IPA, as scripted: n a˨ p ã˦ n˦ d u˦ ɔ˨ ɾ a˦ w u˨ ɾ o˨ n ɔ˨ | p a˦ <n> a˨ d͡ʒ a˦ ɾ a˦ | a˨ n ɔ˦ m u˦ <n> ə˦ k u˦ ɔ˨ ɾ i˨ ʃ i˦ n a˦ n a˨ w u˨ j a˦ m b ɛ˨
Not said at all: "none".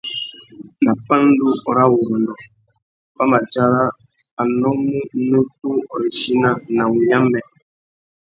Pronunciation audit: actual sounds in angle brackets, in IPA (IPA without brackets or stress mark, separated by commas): m, n